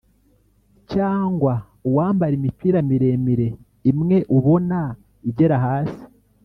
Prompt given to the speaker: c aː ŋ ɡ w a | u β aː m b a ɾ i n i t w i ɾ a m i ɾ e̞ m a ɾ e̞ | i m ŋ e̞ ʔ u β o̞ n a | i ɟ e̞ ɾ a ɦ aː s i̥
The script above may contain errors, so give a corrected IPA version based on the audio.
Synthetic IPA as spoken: c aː ŋ ɡ w a | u w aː m b a ɾ i m i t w i ɾ a m i ɾ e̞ m i ɾ e̞ | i m ŋ e̞ ʔ u β o̞ n a | i ɟ e̞ ɾ a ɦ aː s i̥